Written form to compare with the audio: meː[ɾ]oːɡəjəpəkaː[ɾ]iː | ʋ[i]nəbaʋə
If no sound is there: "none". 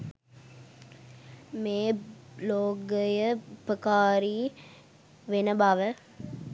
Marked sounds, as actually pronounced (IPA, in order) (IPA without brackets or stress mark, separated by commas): l, ɾ, e